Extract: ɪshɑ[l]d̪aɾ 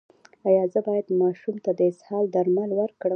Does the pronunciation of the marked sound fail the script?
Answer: no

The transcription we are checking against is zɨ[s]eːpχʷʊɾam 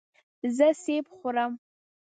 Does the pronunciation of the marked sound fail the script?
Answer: no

